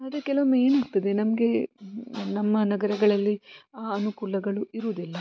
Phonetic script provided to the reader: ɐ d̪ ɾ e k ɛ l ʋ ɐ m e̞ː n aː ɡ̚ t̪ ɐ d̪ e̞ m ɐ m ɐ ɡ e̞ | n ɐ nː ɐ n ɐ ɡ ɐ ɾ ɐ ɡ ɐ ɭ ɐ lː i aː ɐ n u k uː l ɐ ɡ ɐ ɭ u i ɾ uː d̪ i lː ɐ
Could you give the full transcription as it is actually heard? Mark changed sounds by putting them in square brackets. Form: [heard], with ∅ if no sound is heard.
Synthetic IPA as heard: ɐ d̪ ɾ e k ɛ l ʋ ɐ m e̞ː n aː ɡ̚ t̪ ɐ d̪ e̞ [n] ɐ m ɐ ɡ e̞ | n ɐ [mː] ɐ n ɐ ɡ ɐ ɾ ɐ ɡ ɐ ɭ ɐ lː i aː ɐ n u k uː l ɐ ɡ ɐ ɭ u i ɾ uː d̪ i lː ɐ